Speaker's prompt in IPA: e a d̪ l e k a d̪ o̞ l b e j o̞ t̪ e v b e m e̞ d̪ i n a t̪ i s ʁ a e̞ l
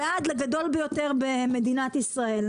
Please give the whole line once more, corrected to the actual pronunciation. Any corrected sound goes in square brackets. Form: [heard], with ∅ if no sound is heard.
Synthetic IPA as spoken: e a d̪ l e [ɡ] a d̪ o̞ l b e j o̞ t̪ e [ʁ] b e m e̞ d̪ i n a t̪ i s ʁ a e̞ l